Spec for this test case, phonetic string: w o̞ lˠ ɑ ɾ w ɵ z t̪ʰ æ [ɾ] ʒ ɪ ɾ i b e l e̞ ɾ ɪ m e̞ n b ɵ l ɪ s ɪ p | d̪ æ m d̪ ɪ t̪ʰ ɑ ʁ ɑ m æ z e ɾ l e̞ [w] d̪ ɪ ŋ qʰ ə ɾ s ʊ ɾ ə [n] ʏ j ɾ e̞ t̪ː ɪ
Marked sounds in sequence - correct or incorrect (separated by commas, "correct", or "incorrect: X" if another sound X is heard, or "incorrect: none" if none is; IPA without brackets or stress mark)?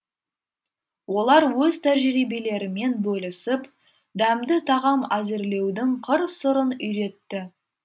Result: correct, correct, correct